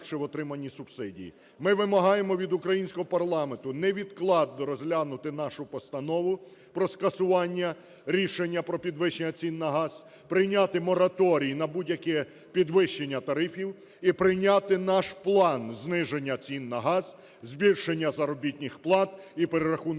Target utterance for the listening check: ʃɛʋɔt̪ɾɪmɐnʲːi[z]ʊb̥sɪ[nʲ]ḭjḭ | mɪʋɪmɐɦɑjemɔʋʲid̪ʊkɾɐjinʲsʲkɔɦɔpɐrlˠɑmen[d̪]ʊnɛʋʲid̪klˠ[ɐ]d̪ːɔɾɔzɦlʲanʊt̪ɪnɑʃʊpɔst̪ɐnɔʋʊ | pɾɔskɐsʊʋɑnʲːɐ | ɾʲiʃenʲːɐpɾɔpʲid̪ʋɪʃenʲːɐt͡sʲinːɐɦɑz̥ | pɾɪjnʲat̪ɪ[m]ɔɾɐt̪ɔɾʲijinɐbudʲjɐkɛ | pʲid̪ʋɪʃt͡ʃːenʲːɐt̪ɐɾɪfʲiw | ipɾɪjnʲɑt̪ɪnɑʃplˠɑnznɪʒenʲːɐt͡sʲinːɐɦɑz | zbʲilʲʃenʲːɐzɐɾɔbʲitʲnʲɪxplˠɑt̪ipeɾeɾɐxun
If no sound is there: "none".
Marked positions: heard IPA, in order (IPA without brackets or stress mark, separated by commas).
s, dʲ, t̪, ɑ, m